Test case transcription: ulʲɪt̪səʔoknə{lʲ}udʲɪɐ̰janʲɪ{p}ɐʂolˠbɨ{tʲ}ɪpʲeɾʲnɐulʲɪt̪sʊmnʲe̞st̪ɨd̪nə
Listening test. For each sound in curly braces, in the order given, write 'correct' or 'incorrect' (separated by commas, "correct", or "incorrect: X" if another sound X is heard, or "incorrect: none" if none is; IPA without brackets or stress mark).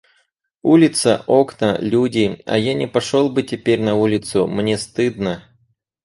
correct, correct, correct